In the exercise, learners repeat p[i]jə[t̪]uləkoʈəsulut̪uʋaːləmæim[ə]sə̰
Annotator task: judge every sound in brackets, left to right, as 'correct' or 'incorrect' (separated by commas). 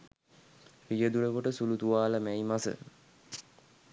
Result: correct, incorrect, incorrect